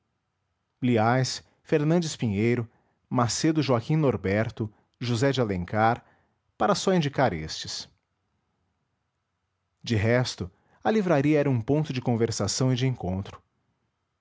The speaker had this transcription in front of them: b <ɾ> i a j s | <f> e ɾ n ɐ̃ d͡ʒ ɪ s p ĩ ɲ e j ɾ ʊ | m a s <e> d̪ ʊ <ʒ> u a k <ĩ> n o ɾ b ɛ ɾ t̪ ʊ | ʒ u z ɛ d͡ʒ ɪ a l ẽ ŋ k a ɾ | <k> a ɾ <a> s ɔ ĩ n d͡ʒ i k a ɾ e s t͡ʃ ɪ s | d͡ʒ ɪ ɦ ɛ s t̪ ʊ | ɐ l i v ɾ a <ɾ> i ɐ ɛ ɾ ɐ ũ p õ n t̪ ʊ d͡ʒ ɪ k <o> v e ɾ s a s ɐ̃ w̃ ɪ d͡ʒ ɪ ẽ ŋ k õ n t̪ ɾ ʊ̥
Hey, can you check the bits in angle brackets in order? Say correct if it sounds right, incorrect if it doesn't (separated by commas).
incorrect, correct, correct, correct, correct, incorrect, incorrect, correct, incorrect